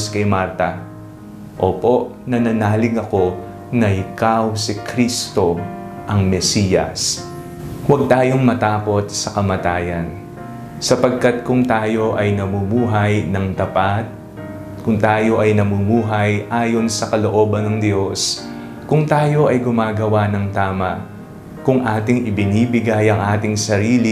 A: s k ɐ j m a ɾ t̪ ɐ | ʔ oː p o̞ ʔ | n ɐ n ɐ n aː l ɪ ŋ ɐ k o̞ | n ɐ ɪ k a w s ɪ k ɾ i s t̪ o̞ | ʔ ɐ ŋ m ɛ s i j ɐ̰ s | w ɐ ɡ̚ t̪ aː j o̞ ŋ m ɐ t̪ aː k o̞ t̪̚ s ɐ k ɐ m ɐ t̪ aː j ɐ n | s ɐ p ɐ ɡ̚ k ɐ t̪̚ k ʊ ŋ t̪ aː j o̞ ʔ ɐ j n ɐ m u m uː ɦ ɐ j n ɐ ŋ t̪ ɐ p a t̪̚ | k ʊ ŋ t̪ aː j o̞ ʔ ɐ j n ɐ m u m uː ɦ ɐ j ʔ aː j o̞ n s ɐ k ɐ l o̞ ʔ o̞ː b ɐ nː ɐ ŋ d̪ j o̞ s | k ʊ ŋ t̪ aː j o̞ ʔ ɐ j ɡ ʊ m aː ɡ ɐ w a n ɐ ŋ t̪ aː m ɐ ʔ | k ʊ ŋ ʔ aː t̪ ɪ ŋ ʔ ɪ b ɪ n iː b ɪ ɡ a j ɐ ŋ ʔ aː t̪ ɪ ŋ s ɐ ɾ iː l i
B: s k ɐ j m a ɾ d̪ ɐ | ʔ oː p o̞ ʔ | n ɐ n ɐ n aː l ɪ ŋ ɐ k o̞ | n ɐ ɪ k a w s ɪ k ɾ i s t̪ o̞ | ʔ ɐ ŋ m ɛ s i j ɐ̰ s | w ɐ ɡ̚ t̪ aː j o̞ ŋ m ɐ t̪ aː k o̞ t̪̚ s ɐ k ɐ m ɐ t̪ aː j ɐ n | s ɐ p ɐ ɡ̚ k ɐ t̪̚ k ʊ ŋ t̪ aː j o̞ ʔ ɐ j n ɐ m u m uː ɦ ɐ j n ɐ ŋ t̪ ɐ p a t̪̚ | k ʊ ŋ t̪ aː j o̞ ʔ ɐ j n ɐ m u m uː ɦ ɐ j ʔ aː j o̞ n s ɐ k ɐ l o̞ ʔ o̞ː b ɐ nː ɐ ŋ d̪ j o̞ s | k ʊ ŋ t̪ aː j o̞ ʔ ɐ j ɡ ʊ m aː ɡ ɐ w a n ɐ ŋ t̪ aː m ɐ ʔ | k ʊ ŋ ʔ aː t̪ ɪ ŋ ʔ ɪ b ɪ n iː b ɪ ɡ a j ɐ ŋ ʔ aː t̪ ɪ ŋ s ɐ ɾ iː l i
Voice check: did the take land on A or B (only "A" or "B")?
A